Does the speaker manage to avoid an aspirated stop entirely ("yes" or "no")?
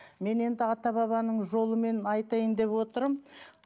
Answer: yes